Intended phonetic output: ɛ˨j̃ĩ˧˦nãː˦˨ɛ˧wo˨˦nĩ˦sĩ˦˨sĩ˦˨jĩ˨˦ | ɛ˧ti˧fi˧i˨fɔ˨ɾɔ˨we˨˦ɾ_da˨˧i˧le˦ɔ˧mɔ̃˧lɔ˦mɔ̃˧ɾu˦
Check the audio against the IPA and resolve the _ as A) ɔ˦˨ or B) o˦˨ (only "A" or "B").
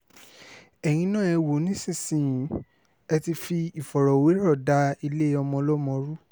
A